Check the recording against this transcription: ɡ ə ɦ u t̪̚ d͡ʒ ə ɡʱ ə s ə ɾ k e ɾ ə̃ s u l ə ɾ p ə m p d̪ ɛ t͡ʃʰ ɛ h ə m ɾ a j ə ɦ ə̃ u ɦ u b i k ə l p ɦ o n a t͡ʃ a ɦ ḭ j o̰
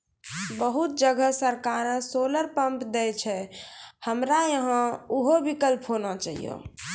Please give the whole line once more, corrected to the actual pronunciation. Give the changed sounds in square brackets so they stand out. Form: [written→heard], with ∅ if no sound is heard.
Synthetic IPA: [ɡ→b] ə ɦ u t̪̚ d͡ʒ ə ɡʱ ə s ə ɾ k [e→a] ɾ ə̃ s [u→o] l ə ɾ p ə m p d̪ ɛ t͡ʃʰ ɛ h ə m ɾ a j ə ɦ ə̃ u ɦ [u→o] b i k ə l p ɦ o n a t͡ʃ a ɦ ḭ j o̰